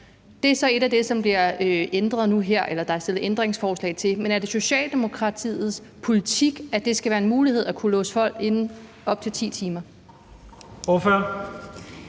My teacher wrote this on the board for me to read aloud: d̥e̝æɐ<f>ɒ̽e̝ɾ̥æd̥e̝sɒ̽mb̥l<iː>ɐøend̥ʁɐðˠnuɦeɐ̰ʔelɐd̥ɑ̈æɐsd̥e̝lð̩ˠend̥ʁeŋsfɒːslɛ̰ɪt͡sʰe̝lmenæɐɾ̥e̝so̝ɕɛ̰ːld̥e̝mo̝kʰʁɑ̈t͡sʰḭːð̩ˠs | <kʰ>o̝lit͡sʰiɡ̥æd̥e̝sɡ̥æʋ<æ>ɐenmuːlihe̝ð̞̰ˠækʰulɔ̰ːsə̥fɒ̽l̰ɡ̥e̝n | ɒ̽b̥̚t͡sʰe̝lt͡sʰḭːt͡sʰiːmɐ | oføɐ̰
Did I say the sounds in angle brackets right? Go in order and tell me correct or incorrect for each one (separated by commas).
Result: incorrect, incorrect, incorrect, incorrect